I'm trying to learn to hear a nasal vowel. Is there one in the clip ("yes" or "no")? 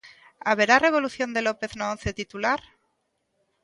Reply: no